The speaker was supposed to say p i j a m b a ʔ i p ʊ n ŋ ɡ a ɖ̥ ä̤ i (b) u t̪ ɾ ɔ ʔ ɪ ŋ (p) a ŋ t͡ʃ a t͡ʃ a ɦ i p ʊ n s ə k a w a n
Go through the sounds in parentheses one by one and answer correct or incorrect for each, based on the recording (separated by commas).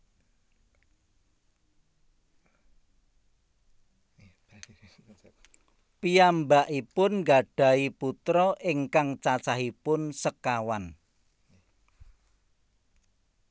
incorrect, incorrect